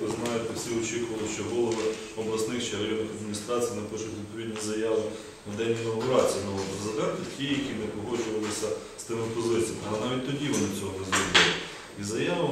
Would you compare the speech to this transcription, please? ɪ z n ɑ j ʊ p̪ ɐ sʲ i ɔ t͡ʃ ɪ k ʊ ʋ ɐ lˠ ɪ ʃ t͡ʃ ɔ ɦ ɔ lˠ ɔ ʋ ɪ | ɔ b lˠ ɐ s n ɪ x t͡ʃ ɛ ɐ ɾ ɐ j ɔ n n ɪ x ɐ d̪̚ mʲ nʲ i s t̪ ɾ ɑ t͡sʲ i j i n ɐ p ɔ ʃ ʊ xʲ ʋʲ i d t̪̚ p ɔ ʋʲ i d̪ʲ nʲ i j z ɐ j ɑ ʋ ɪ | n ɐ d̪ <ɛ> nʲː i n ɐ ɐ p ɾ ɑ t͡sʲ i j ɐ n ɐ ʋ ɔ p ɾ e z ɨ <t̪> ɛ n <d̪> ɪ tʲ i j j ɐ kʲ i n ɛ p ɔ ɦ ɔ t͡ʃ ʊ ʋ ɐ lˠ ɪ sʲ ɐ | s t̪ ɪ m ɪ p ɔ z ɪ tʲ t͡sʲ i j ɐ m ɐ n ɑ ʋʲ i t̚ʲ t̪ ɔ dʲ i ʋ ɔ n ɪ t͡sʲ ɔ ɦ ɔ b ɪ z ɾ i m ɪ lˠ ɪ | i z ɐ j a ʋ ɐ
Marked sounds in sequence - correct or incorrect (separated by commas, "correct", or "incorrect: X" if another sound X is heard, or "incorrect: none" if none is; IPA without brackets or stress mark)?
correct, incorrect: d̪, incorrect: t̪